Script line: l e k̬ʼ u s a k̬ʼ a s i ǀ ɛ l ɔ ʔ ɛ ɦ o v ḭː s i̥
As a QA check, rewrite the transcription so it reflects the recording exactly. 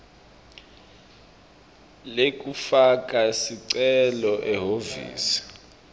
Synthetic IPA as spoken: l e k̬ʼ u f a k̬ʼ a s i ǀ ɛ l ɔ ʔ ɛ ɦ o v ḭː s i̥